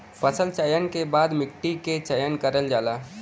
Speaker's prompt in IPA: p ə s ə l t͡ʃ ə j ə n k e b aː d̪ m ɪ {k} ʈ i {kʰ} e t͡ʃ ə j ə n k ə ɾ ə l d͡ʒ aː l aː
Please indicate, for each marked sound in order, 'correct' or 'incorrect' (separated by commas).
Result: correct, incorrect